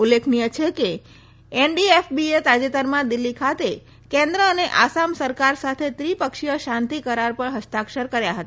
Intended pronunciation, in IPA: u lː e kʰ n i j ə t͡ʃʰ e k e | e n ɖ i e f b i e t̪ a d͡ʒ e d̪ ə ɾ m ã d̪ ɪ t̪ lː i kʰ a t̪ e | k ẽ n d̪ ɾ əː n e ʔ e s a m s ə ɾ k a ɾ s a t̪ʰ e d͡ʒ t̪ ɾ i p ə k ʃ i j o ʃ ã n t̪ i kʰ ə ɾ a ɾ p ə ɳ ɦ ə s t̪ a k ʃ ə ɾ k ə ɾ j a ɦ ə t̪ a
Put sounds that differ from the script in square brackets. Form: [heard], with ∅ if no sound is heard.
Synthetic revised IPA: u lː e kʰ n i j ə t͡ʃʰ e k e | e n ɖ i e f b i e t̪ a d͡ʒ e [t̪] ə ɾ m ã d̪ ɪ [∅] lː i kʰ a t̪ e | k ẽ n d̪ ɾ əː n e ʔ [a] s a m s ə ɾ k a ɾ s a t̪ʰ e [∅] t̪ ɾ i p ə k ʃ i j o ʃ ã n t̪ i [k] ə ɾ a ɾ p ə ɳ ɦ ə s t̪ a k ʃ ə ɾ k ə ɾ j a ɦ ə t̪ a